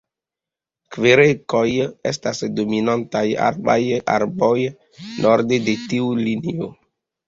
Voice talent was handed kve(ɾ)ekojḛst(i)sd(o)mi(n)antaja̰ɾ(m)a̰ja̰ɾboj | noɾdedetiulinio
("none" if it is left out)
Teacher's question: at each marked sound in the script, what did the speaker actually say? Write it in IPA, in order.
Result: ɾ, a, o, n, b

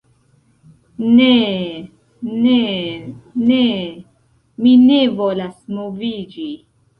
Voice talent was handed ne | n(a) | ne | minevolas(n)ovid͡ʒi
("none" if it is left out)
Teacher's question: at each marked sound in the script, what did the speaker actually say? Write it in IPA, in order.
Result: e, m

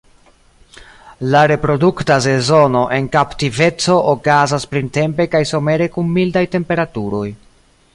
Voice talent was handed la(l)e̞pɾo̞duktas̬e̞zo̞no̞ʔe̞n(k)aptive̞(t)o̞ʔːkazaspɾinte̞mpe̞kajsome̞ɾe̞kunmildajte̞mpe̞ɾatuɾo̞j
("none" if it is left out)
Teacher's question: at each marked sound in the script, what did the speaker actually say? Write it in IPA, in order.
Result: ɾ, k, t͡s

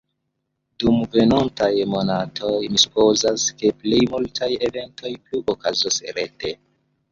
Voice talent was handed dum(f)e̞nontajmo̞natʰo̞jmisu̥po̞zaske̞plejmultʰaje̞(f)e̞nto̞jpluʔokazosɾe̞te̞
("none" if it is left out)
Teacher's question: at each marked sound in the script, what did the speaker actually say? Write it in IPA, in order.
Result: v, v

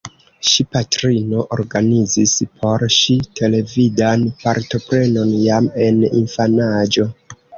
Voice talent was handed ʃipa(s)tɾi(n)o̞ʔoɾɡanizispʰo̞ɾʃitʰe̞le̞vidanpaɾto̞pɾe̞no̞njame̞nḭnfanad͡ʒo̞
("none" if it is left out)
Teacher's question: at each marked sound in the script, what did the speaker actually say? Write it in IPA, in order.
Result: none, n

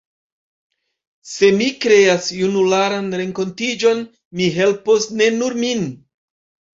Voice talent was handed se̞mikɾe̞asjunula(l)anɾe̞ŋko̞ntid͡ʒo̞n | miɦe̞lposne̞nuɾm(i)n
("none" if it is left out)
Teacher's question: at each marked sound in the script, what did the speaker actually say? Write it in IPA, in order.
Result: ɾ, i

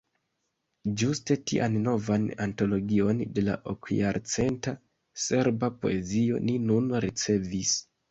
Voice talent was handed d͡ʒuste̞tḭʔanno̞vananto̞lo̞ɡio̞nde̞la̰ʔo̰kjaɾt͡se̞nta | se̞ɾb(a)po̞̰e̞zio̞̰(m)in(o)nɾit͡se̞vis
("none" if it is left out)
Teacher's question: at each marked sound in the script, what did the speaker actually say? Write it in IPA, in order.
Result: a, n, u

